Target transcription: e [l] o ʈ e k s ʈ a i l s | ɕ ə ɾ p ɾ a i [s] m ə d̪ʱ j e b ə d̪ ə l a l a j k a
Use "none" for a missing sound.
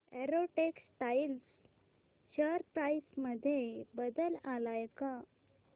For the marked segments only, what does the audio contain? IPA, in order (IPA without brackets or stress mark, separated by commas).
ɾ, s